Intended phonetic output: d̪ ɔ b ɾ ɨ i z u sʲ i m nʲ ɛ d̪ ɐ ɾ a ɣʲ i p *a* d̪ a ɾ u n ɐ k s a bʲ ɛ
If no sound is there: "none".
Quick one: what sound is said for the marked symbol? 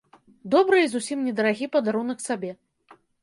ɐ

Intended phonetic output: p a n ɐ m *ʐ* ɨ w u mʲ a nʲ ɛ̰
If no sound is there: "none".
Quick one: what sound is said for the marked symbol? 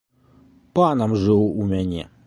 ʐ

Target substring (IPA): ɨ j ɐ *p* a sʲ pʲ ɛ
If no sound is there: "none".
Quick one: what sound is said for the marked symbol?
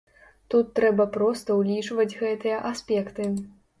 ʔ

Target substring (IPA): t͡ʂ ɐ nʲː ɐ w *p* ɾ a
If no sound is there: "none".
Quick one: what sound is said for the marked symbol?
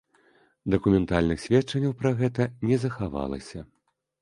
p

